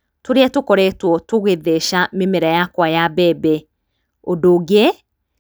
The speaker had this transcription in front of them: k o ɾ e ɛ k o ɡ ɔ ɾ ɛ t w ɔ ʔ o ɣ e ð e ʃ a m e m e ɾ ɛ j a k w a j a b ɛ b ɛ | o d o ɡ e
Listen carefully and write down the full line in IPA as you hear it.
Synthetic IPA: t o ɾ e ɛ t o k ɔ ɾ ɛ t w ɔ t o ɣ e ð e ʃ a m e m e ɾ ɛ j a k w a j a b ɛ b ɛ | o d o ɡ e